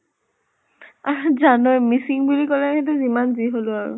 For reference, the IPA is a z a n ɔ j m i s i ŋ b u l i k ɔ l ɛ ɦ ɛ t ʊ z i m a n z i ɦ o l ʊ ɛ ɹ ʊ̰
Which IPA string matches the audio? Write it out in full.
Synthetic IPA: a z a n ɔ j m i s i ŋ b u l i k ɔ l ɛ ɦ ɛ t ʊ z i m a n z i ɦ o l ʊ a ɹ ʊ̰